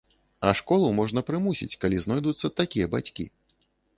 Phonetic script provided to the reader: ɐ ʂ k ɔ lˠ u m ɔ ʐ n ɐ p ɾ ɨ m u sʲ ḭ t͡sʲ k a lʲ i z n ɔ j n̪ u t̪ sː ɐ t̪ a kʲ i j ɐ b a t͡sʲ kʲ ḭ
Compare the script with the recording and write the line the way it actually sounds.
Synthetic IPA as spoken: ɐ ʂ k ɔ lˠ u m ɔ ʐ n ɐ p ɾ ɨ m u sʲ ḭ t͡sʲ k a lʲ i z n ɔ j d̪ u t̪ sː ɐ t̪ a kʲ i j ɐ b a t͡sʲ kʲ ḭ